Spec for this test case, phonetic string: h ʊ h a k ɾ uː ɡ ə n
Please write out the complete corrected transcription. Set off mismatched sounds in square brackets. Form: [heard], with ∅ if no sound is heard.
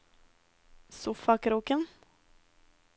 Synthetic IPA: [s] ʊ [f] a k ɾ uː [k] ə n